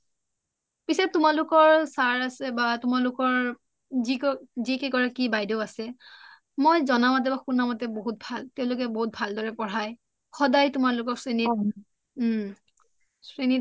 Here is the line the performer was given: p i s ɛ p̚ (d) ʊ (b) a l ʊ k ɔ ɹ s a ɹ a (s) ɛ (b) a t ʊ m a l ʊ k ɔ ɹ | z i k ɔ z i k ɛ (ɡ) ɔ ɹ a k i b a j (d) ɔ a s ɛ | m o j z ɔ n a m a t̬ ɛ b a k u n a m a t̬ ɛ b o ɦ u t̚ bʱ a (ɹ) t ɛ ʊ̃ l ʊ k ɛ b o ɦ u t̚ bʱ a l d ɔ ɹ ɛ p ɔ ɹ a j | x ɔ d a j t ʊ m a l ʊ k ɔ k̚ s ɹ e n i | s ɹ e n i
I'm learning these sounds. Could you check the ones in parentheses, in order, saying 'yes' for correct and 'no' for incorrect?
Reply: no, no, yes, yes, no, yes, no

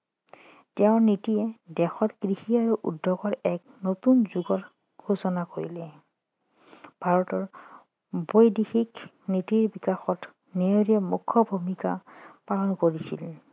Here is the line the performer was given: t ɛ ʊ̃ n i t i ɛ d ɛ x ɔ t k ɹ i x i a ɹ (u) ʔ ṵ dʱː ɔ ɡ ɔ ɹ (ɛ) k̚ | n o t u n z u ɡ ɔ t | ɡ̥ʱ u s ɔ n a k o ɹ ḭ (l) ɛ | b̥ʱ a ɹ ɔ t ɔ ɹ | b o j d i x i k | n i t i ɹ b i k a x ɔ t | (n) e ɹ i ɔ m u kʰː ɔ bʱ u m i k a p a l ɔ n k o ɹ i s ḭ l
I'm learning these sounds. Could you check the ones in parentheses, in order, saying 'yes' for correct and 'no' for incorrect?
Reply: yes, yes, yes, yes

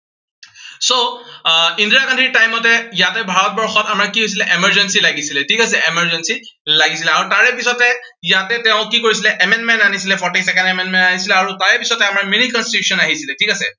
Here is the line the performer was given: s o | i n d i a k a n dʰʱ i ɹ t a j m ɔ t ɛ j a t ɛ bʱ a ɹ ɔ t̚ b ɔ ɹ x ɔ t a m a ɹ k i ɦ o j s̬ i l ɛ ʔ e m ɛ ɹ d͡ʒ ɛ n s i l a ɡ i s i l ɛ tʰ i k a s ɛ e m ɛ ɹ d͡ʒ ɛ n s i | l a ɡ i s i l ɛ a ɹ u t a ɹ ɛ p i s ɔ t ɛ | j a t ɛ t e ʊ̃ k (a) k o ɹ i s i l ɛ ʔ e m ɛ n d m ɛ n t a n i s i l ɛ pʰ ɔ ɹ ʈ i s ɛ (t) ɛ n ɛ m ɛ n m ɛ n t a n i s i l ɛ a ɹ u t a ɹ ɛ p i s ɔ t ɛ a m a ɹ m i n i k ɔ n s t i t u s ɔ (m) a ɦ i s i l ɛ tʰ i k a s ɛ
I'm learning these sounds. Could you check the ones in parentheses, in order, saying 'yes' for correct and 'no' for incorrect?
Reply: no, no, no

